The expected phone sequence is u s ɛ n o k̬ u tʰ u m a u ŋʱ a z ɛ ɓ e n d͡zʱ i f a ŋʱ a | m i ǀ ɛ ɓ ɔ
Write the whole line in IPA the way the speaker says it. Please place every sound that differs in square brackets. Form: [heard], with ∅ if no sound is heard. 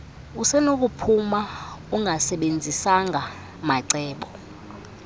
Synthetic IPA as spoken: u s ɛ n o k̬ u [pʰ] u m a u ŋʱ a [s] ɛ ɓ e n d͡zʱ i [s] a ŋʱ a | m [a] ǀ [ɛː] ɓ ɔ